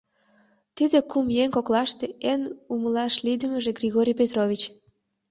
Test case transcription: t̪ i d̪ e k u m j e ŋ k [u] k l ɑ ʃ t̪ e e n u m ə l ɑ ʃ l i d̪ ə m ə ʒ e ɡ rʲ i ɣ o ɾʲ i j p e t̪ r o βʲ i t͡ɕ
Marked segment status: incorrect: o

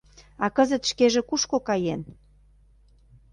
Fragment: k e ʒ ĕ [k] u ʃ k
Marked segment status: correct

